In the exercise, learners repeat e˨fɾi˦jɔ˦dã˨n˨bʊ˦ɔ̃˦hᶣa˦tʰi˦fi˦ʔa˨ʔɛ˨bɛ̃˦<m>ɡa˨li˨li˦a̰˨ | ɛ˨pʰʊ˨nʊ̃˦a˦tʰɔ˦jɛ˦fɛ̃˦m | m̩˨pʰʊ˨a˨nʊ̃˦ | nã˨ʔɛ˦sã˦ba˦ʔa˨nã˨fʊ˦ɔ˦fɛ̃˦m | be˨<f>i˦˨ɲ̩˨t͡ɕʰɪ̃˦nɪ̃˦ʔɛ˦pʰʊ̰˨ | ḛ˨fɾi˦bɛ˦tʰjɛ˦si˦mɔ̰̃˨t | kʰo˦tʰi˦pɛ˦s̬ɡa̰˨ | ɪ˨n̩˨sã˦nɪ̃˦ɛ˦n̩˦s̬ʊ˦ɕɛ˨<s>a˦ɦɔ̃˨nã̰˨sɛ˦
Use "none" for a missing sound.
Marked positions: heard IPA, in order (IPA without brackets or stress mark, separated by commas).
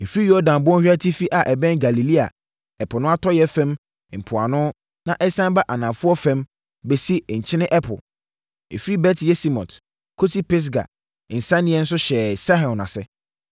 n, s, s